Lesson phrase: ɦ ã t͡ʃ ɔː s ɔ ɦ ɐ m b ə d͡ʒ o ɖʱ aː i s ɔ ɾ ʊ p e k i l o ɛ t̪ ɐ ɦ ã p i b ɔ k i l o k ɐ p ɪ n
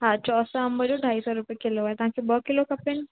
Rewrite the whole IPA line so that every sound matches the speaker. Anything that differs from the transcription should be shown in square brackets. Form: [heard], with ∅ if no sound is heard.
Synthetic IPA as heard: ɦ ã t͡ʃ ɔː s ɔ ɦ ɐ m b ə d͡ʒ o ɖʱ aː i s ɔ ɾ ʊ p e k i l o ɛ t̪ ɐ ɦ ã [k] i b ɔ k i l o k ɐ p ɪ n